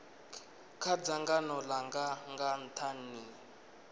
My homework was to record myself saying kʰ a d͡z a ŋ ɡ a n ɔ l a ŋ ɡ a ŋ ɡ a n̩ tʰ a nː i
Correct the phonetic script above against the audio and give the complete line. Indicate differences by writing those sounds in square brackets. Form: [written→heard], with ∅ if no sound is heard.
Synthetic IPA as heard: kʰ a d͡z a ŋ ɡ a n ɔ l a ŋ ɡ a ŋ ɡ a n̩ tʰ a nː i